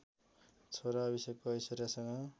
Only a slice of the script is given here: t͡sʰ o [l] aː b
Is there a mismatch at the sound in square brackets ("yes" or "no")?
yes